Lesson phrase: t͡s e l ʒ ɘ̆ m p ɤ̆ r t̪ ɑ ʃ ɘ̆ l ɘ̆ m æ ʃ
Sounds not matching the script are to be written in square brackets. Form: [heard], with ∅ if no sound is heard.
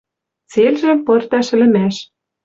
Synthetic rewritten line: t͡s e l ʒ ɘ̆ m p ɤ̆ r t̪ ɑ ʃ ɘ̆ l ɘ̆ m æ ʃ